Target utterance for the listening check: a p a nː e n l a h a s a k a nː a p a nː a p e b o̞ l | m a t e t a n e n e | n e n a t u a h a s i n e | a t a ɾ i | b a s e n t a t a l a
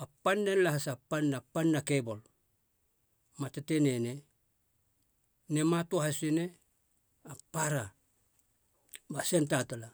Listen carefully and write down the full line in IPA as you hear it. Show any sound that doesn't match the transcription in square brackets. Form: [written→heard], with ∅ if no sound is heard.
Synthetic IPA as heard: a p a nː e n l a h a s a [k→p] a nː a p a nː a [p→k] e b o̞ l | m a t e t [a→e] n e n e | n e [n→m] a t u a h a s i n e | a [t→p] a ɾ [i→a] | b a s e n t a t a l a